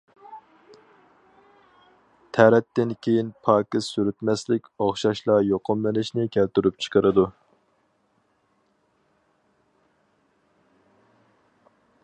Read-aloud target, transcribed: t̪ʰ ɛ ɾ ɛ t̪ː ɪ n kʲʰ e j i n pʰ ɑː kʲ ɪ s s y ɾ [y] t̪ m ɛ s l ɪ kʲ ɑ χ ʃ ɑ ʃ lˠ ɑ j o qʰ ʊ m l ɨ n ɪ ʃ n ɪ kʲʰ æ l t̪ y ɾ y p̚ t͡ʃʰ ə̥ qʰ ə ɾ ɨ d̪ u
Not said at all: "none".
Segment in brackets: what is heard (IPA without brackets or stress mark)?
y